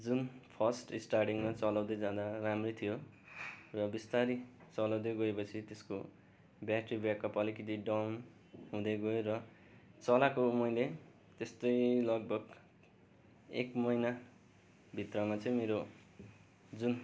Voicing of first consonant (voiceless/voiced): voiced